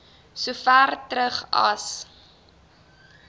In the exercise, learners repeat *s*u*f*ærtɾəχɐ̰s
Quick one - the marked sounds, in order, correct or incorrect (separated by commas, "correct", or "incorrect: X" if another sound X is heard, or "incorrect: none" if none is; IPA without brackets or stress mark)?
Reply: correct, correct